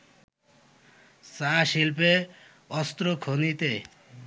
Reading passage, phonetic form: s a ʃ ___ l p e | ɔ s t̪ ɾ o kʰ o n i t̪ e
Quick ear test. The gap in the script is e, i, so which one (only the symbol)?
i